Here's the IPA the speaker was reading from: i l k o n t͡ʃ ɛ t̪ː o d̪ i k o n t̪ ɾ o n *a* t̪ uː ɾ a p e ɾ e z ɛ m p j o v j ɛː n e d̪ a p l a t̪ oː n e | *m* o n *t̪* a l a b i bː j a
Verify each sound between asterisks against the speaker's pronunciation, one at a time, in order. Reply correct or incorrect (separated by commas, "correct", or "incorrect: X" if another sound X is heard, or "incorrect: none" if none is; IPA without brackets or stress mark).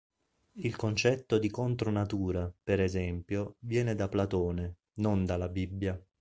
correct, incorrect: n, incorrect: d̪